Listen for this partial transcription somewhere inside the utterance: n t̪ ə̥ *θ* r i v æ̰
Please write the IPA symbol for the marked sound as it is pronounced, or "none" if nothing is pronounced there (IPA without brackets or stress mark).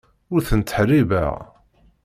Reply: ħ